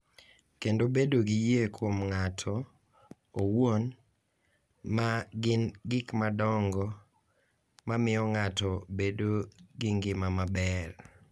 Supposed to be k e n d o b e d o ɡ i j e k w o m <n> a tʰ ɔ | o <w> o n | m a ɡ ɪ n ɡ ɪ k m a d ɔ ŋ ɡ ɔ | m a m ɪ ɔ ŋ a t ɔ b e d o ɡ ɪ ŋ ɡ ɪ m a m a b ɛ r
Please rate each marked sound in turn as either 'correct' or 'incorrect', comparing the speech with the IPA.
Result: incorrect: ŋ, correct

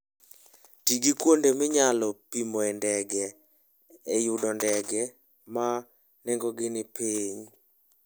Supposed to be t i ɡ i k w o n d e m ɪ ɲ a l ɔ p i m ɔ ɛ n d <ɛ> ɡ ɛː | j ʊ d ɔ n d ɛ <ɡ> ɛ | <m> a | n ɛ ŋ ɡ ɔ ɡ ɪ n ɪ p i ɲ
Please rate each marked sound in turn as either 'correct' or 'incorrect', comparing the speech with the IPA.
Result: correct, correct, correct

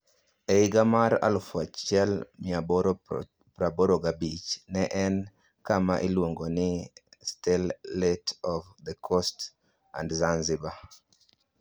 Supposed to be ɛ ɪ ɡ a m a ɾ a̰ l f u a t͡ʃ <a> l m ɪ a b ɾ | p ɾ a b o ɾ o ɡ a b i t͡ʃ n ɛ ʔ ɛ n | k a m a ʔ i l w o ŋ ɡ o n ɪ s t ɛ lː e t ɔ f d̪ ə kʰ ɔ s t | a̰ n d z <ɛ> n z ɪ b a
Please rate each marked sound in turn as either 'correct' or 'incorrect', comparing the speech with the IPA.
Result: incorrect: ɛ, incorrect: a

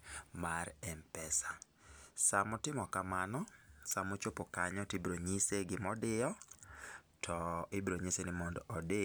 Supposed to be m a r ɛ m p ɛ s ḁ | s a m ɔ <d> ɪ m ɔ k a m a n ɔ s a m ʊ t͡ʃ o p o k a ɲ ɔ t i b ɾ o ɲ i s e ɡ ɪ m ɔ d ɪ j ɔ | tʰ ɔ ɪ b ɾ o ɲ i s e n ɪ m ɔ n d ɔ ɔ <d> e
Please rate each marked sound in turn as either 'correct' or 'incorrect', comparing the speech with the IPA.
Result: incorrect: t, correct

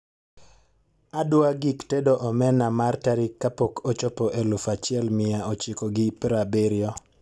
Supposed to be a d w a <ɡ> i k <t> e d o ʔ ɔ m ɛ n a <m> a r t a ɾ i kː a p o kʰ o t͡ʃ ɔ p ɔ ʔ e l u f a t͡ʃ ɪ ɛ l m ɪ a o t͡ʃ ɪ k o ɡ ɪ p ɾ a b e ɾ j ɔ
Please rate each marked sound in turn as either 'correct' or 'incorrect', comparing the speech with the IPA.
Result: correct, correct, correct

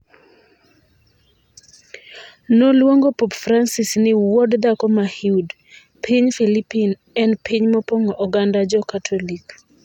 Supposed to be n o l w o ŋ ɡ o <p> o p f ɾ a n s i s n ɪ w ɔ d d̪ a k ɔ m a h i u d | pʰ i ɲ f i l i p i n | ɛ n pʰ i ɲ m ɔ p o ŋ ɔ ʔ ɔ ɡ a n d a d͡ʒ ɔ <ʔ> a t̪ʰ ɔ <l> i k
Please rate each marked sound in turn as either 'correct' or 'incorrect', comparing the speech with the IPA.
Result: correct, incorrect: k, correct

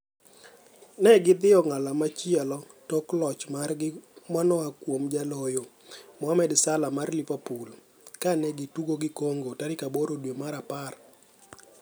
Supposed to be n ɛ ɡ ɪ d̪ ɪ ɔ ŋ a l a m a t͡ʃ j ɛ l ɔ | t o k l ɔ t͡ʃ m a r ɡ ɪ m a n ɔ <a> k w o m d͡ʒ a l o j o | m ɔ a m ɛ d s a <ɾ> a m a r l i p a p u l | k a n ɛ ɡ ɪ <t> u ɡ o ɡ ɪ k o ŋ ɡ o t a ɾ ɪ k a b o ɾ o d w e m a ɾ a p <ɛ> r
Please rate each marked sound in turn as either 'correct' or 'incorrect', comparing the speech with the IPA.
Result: correct, incorrect: l, correct, incorrect: a

